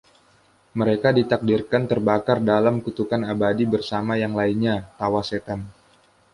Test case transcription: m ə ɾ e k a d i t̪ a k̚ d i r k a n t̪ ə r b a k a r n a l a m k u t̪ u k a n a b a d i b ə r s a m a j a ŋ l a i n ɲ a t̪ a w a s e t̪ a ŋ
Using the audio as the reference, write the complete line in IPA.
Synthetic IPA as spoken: m ə ɾ e k a d i t̪ a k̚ d i r k a n t̪ ə r b a k a r d a l a m k u t̪ u k a n a b a d i b ə r s a m a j a ŋ l a i n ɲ a t̪ a w a s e t̪ a n